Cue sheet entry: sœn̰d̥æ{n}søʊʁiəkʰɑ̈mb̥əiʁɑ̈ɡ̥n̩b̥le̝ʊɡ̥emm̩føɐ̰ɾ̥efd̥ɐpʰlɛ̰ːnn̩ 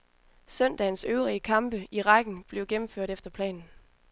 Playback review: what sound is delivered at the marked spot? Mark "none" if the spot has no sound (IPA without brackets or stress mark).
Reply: n